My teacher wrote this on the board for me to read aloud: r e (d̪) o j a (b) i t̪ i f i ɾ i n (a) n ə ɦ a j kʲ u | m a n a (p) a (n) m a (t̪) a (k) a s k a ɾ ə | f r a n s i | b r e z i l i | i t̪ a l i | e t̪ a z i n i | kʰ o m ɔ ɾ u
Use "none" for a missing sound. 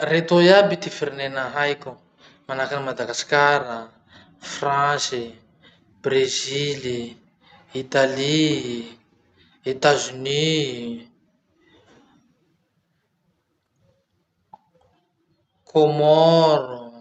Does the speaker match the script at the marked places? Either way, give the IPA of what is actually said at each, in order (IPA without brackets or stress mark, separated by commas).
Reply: t̪, b, e, k, n, d̪, ɡ